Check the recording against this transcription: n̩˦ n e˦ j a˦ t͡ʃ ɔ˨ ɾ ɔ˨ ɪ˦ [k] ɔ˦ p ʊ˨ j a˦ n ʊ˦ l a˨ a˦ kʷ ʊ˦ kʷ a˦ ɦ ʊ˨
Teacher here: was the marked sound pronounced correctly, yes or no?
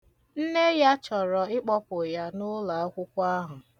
no